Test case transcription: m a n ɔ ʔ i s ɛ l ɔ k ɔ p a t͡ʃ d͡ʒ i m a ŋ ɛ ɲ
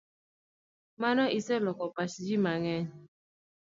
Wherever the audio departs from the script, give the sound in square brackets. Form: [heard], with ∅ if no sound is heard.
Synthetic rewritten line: m a n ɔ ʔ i s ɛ l ɔ k ɔ p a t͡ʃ d͡ʒ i m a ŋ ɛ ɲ